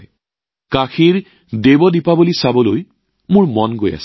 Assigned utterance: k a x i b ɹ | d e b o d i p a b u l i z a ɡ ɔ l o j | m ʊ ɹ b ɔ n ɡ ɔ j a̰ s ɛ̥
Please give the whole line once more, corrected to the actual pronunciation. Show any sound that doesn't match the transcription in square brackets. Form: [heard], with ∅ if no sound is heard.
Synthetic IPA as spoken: k a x i [∅] ɹ | d e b [ɔ] d i p a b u l i [s] a [b] ɔ l o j | m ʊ ɹ [m] ɔ n ɡ [o] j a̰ s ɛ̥